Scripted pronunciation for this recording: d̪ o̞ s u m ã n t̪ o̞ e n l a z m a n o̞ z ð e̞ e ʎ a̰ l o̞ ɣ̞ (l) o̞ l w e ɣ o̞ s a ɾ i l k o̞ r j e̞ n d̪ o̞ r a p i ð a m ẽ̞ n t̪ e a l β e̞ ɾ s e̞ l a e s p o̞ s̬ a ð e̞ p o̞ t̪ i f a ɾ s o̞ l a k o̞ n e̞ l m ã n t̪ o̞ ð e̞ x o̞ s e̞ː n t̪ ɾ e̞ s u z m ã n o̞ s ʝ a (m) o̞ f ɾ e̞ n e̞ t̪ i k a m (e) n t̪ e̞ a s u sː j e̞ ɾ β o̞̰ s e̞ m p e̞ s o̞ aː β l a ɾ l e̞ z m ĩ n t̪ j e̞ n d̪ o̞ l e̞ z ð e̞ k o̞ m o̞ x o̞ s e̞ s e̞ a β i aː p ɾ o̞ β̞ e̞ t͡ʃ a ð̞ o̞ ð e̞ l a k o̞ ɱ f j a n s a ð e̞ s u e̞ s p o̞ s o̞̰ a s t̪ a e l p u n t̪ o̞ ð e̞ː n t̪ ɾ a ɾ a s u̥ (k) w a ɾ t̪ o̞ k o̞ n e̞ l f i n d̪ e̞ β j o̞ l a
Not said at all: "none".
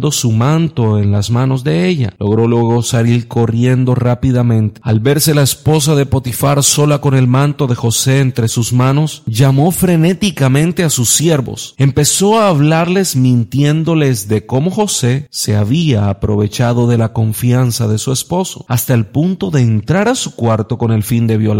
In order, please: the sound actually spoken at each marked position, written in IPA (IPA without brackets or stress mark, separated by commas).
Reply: ɾ, m, ẽ, k